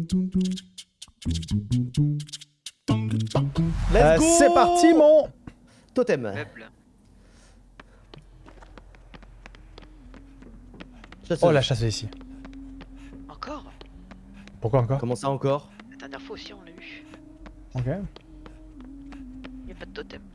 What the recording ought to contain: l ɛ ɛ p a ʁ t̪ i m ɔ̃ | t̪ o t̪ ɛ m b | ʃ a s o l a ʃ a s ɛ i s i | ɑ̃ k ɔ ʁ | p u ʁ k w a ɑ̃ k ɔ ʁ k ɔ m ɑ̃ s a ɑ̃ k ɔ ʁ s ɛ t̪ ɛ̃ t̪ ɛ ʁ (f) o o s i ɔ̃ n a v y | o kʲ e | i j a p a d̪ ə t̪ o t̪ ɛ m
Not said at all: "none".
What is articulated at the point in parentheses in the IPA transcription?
f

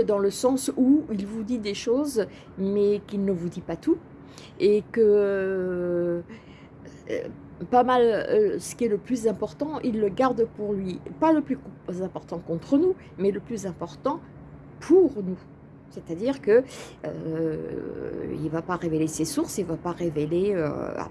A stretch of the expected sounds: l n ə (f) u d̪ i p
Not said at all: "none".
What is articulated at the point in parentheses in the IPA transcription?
v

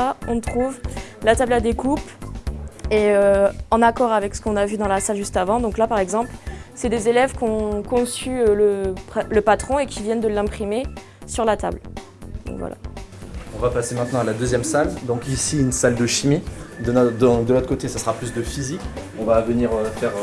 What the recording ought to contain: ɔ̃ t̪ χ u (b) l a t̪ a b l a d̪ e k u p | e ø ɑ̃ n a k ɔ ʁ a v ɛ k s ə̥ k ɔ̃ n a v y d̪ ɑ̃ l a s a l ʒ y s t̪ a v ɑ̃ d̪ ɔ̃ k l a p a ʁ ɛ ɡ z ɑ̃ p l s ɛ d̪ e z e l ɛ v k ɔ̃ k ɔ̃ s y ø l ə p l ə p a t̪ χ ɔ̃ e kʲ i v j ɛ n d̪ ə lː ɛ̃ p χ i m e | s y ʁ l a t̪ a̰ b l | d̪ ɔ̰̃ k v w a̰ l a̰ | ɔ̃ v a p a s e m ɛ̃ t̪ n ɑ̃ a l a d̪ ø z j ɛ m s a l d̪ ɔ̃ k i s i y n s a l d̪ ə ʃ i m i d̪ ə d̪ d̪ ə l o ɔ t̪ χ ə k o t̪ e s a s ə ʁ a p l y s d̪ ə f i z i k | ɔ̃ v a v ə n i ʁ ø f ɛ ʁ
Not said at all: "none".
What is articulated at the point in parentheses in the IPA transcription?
v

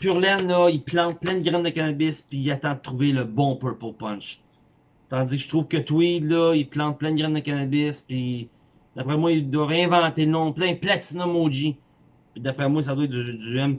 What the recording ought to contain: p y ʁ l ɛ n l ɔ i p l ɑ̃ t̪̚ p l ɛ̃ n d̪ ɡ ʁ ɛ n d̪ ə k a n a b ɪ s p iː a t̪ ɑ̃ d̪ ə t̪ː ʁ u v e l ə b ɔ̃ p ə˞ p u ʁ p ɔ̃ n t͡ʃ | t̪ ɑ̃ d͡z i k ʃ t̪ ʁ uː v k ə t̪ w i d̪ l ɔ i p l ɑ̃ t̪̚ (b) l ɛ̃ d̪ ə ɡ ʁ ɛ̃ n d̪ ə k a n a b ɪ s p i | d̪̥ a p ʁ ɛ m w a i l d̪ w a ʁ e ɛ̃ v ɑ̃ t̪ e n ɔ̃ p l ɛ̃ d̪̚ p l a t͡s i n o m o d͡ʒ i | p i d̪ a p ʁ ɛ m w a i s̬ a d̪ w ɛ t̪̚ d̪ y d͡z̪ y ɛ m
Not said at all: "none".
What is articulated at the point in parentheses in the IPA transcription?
p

